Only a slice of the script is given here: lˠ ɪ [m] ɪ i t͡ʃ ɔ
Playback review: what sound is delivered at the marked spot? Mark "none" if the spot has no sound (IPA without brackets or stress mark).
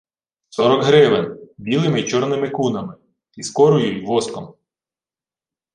m